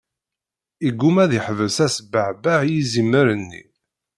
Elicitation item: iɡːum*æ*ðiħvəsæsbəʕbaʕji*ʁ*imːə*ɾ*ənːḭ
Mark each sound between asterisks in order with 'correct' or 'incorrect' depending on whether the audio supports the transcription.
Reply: correct, incorrect, correct

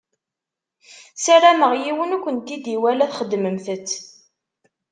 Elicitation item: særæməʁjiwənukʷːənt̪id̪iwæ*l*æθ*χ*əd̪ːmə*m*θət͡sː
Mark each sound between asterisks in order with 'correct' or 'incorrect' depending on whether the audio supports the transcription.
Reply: correct, correct, correct

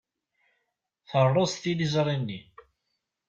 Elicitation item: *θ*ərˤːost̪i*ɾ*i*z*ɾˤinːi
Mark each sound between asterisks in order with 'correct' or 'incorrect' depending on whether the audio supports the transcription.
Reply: correct, incorrect, correct

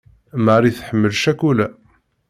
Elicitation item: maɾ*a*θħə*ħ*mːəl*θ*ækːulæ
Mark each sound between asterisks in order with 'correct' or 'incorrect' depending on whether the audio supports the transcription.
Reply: incorrect, incorrect, incorrect

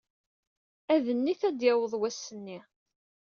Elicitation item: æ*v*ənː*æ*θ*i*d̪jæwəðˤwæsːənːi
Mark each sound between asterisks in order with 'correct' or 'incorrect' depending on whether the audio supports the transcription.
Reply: incorrect, incorrect, incorrect

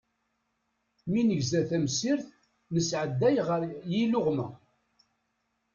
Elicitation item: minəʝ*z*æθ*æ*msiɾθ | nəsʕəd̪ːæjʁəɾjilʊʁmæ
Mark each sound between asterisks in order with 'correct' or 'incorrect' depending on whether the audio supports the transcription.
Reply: correct, correct

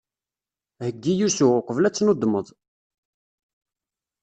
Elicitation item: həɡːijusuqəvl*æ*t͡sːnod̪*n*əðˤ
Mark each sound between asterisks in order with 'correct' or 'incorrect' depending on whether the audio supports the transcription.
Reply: correct, incorrect

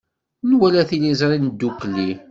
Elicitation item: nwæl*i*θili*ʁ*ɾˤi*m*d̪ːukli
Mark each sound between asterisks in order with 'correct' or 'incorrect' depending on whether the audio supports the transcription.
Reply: incorrect, incorrect, incorrect

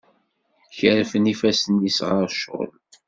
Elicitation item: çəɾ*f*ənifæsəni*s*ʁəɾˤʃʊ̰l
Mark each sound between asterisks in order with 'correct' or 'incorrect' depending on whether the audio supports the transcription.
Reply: correct, correct

